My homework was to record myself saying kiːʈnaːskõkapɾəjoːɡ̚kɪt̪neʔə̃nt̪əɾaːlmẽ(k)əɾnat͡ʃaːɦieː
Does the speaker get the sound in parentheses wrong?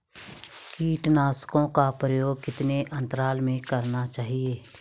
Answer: no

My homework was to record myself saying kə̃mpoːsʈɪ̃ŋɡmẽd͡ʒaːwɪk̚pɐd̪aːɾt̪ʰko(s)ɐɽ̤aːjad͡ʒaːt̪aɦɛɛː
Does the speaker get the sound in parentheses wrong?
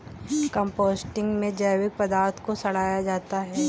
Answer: no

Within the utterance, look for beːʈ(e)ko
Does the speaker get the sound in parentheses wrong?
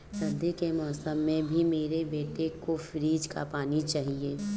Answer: no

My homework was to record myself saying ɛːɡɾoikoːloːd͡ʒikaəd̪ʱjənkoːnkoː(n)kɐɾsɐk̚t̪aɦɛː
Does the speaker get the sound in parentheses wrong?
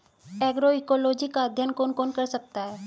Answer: no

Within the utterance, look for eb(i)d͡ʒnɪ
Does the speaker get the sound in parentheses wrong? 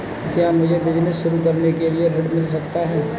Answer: yes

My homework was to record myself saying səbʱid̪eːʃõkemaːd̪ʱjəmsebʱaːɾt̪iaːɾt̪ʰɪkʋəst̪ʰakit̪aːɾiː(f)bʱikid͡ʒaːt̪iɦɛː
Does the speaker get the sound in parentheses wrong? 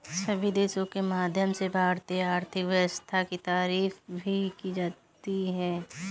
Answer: no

